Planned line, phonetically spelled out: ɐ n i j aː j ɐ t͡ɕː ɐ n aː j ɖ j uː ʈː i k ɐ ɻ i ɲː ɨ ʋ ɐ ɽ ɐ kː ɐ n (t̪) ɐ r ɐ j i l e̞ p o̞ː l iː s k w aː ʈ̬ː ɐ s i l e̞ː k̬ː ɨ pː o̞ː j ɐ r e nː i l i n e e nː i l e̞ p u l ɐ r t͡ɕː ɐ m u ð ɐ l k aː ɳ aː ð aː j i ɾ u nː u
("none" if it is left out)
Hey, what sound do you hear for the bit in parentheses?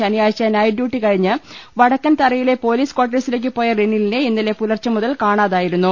t̪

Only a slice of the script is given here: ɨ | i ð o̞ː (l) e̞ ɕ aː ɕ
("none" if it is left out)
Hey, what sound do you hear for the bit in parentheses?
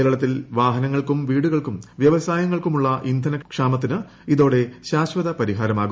ɽ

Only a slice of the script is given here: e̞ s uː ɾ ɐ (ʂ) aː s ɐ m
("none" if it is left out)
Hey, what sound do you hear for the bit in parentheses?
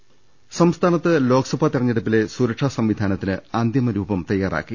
ʂ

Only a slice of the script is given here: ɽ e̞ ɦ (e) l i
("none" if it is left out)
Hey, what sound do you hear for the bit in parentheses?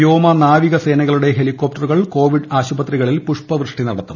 e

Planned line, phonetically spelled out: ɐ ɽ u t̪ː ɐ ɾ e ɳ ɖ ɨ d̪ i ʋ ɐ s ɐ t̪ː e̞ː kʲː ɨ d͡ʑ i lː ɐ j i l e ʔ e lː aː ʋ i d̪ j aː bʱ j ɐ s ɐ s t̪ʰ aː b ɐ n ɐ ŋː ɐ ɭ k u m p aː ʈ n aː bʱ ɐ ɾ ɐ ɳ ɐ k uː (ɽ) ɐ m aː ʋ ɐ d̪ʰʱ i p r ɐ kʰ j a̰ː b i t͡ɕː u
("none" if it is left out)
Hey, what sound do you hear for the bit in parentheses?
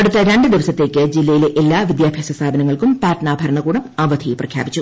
ɽ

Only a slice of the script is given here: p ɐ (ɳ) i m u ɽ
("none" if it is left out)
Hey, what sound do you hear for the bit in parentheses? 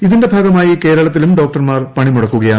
ɳ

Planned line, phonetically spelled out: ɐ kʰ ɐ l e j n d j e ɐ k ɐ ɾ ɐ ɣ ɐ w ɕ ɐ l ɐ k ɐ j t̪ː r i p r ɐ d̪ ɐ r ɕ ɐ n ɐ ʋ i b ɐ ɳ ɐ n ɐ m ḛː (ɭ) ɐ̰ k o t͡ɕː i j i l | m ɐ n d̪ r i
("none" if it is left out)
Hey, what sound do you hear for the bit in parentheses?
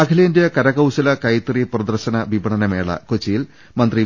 ɭ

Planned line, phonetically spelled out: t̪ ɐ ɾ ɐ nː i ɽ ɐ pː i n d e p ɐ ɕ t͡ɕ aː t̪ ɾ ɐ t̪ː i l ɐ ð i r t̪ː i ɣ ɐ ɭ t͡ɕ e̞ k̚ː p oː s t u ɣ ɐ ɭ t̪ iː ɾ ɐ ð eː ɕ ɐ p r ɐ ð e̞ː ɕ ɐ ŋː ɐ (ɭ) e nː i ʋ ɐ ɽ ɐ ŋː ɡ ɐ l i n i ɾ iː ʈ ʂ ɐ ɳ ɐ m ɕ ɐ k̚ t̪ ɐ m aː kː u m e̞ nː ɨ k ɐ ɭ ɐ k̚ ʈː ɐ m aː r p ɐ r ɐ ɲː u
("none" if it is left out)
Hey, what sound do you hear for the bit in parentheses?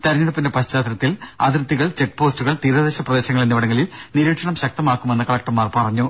ɭ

